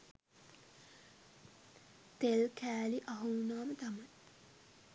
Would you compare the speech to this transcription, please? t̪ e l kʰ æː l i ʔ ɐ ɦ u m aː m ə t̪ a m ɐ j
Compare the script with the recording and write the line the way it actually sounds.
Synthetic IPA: t̪ e l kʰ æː l i ʔ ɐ ɦ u n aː m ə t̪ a m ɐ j